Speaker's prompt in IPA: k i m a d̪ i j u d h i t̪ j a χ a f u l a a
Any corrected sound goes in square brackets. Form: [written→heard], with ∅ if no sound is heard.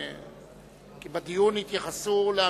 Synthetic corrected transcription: k i [m→b] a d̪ i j u [d→n] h i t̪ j a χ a [f→s] u l [a→e] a